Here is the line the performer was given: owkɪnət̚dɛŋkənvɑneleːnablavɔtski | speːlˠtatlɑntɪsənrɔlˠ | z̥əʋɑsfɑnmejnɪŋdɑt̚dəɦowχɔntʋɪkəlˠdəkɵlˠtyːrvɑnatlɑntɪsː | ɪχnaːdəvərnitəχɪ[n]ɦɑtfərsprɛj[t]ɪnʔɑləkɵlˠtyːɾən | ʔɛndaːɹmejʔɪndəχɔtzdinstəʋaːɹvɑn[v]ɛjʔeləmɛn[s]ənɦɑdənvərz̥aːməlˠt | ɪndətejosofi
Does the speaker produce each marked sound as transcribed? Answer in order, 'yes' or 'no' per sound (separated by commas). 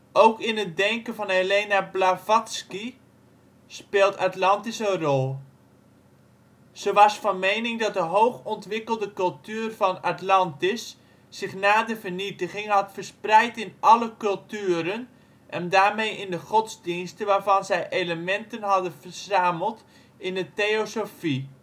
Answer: no, yes, no, no